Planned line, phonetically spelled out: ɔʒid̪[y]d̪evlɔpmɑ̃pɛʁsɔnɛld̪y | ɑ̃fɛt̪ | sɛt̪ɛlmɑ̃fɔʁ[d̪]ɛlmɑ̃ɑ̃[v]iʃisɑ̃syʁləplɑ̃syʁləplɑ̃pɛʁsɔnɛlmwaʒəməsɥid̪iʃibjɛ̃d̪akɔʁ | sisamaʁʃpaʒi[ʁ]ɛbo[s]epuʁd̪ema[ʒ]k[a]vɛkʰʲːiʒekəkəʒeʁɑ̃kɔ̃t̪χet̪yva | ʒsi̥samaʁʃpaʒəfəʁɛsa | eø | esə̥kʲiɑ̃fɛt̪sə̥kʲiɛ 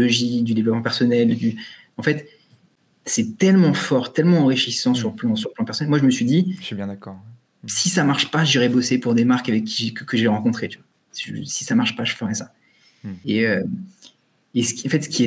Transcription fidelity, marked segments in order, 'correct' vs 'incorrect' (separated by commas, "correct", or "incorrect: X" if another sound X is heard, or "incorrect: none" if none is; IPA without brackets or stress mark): correct, incorrect: t̪, incorrect: ʁ, correct, correct, incorrect: ʁ, correct